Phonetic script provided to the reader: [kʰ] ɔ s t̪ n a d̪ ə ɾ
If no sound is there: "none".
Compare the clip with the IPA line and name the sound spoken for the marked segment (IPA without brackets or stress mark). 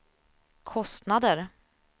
kʰ